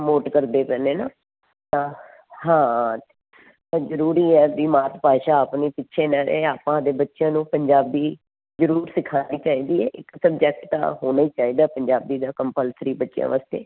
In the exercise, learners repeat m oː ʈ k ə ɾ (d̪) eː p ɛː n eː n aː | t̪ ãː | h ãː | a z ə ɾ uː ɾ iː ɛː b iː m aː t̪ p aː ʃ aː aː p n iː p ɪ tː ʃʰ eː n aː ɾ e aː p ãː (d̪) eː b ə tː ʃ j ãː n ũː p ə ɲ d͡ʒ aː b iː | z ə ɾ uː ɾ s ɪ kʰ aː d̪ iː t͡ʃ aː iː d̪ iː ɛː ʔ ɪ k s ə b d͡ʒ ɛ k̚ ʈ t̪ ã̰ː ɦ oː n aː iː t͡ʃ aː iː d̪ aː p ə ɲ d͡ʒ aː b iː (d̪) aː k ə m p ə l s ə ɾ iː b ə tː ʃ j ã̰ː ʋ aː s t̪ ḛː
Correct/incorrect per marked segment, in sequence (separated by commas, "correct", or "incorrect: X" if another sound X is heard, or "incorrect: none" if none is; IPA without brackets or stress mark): correct, correct, correct